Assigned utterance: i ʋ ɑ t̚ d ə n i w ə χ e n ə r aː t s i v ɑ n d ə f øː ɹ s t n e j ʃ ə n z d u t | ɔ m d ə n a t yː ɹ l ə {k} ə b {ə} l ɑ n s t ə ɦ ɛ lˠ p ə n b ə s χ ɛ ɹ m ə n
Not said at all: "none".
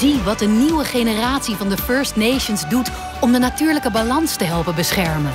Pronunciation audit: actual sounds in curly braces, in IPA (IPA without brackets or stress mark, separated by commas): k, a